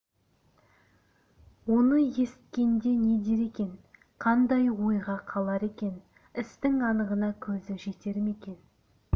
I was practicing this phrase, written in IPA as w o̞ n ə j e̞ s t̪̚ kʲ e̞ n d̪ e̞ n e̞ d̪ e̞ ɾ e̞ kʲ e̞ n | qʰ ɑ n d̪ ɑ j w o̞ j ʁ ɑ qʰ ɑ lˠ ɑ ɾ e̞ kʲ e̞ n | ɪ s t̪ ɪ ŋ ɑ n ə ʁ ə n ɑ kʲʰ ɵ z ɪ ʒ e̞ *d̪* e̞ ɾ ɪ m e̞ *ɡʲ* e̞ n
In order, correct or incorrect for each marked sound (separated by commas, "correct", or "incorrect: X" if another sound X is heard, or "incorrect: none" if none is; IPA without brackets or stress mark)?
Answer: incorrect: t̪, incorrect: kʲ